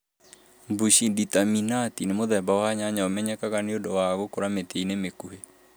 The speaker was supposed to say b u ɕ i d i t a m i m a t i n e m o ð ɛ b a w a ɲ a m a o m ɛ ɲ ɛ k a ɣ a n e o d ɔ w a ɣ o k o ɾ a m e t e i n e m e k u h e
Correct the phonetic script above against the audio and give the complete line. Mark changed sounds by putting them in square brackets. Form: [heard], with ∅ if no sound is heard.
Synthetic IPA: b u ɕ i d i t a m i [n] a t i n e m o ð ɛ b a w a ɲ a [ɲ] a o m ɛ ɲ ɛ k a ɣ a n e o d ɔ w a ɣ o k o ɾ a m e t e i n e m e k u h e